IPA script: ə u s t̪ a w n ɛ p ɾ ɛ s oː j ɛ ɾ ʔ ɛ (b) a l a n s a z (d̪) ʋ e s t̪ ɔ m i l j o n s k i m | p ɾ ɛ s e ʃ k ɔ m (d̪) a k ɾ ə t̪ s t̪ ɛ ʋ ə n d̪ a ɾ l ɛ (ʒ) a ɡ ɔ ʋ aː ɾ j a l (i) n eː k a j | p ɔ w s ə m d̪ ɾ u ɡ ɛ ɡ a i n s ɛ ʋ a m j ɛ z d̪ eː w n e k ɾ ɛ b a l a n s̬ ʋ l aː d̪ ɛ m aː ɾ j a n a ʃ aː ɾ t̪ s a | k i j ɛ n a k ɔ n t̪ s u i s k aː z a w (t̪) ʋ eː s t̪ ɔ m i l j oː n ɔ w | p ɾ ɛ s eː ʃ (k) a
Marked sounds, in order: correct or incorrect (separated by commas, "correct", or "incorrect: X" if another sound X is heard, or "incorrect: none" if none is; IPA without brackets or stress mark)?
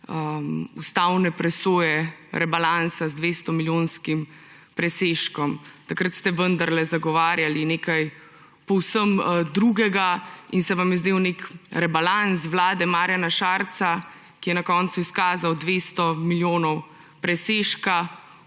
correct, correct, incorrect: t̪, incorrect: z, correct, incorrect: d̪, correct